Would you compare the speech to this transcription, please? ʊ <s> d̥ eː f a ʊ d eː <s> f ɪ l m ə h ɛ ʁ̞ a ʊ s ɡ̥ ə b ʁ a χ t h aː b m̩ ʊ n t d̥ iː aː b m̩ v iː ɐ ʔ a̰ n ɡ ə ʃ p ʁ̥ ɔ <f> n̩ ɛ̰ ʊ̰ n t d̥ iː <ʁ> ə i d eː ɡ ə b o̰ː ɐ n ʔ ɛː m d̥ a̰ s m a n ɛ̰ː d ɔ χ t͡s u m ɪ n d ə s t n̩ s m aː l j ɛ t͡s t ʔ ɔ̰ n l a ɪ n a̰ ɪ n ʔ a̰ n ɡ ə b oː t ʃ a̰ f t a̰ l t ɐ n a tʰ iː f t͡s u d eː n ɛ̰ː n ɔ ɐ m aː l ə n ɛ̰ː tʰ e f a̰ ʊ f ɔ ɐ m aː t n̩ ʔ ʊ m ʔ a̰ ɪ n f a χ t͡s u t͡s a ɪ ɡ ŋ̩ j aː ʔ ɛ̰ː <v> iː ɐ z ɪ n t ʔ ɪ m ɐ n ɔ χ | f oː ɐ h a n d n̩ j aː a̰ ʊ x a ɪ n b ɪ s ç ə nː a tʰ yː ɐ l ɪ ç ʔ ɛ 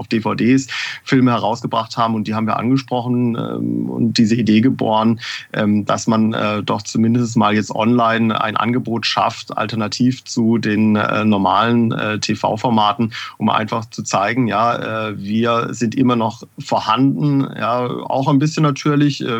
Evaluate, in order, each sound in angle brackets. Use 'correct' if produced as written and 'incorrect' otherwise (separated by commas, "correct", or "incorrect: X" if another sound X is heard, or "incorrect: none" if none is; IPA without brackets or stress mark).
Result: incorrect: f, correct, incorrect: χ, incorrect: z, correct